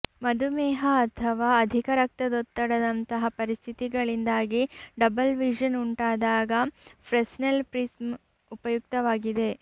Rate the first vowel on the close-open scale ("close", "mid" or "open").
open